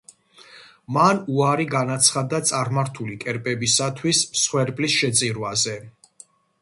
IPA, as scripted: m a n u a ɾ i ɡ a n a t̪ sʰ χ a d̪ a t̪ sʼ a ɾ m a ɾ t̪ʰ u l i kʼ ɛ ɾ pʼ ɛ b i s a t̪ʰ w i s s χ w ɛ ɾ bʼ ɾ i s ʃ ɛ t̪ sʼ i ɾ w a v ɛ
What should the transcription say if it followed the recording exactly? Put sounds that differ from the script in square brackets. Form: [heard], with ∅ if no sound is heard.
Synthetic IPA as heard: m a n u a ɾ i ɡ a n a t̪ sʰ χ a d̪ a t̪ sʼ a ɾ m a ɾ t̪ʰ u l i kʼ ɛ ɾ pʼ ɛ b i s a t̪ʰ w i s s χ w ɛ ɾ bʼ [l] i s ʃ ɛ t̪ sʼ i ɾ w a [z] ɛ